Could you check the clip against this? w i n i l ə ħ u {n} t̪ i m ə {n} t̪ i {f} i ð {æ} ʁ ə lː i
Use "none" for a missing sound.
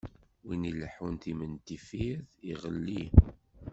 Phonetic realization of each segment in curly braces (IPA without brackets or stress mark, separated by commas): n, n, f, i